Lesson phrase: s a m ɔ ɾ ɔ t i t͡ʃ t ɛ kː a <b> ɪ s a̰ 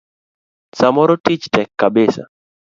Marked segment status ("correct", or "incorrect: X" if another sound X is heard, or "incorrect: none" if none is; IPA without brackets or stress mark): correct